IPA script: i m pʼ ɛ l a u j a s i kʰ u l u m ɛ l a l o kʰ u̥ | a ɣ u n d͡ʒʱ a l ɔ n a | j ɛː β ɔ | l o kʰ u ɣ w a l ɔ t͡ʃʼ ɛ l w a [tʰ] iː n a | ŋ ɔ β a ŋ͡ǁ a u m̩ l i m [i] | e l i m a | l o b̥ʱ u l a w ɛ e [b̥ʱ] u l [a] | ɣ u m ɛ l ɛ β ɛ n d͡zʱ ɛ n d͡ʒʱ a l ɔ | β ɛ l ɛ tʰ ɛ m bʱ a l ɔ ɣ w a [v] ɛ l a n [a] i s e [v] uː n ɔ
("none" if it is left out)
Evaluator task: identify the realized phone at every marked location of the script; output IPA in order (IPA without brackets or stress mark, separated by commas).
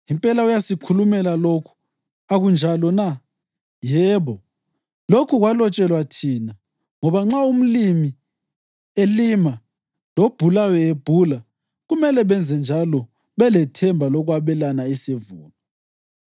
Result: tʰ, i, b̥ʱ, a, β, a, v